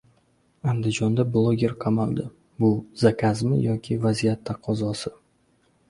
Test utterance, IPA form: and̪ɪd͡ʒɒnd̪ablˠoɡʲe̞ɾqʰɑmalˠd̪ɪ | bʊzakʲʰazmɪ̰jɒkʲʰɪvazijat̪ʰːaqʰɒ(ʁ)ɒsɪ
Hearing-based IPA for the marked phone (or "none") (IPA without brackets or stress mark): z